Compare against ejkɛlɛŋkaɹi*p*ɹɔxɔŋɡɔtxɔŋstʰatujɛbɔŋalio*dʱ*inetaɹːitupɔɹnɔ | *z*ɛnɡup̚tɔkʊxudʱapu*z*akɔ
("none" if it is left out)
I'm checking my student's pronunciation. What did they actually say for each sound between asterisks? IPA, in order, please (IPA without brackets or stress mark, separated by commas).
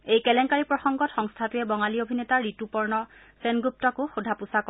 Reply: p, bʱ, s, s